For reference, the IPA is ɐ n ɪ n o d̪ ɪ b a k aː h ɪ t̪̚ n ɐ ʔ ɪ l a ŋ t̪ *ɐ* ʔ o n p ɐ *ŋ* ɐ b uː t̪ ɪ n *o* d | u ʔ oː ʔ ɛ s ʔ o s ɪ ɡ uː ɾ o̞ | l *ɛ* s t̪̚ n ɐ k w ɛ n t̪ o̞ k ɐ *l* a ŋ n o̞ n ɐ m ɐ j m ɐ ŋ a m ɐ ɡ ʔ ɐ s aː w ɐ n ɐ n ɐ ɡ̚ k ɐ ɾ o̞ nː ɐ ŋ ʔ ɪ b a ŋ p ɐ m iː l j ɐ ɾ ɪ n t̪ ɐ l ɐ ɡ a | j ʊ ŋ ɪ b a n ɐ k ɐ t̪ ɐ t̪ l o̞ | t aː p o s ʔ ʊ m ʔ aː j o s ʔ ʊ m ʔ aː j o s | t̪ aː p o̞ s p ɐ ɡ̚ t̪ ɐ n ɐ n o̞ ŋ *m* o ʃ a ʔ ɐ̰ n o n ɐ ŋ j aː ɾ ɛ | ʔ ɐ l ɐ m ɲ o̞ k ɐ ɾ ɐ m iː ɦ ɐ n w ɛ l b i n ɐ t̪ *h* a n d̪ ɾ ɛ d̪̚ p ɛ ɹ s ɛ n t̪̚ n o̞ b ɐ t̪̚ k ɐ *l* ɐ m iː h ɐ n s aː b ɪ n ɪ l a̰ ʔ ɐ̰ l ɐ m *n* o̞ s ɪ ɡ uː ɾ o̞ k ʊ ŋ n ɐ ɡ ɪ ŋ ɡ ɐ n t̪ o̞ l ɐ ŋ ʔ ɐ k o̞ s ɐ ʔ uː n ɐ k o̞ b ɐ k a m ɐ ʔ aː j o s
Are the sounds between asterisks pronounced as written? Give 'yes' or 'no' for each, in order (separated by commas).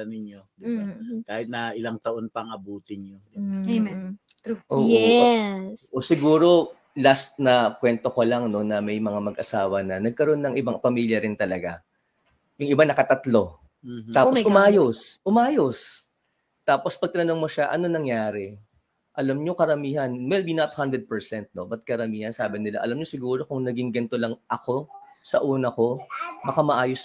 yes, yes, yes, no, yes, yes, yes, no, no